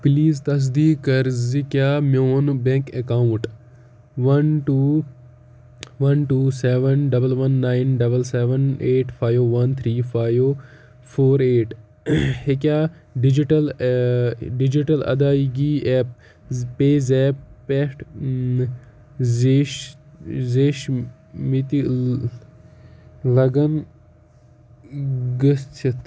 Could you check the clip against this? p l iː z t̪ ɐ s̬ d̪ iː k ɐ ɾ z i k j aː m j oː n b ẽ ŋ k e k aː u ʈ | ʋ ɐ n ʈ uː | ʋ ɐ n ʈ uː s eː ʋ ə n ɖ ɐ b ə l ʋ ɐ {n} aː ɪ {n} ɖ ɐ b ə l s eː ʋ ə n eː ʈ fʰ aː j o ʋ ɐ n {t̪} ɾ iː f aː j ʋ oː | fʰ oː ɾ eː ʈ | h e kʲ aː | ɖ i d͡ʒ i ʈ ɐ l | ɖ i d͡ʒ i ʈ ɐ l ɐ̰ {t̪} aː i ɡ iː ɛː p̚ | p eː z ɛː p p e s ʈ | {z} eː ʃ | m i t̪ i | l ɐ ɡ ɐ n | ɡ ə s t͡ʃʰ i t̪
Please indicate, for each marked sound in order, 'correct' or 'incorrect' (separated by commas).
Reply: incorrect, correct, incorrect, incorrect, correct